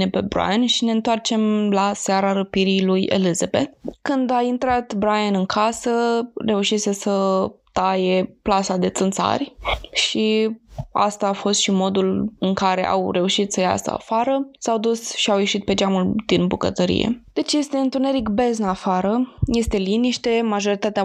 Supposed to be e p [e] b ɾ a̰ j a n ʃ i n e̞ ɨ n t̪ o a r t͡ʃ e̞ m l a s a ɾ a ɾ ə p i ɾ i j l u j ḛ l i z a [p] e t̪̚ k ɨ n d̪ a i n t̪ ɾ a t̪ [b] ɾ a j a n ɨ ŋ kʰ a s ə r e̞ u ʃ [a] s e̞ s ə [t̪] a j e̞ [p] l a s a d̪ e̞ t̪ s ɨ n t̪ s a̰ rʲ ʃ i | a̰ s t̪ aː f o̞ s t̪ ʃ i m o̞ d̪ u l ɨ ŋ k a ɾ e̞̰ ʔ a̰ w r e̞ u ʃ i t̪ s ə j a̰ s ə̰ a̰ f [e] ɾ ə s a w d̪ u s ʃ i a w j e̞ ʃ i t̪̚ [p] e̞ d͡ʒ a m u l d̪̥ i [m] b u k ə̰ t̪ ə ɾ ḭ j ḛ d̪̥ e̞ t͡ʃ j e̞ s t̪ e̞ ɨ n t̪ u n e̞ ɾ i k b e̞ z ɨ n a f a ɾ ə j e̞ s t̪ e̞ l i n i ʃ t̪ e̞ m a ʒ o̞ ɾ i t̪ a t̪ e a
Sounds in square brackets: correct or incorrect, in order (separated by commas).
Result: correct, incorrect, correct, incorrect, correct, correct, incorrect, correct, incorrect